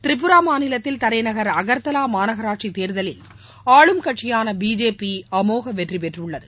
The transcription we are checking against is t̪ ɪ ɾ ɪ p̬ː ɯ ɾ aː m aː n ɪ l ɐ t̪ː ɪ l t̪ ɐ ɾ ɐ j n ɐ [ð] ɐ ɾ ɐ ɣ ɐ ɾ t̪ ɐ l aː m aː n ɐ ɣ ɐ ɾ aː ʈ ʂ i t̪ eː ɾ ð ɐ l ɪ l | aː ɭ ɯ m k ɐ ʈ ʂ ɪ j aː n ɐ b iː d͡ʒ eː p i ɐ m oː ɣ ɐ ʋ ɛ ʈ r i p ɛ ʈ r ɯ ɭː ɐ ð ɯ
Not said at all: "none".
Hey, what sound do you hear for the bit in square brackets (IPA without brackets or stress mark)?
ɣ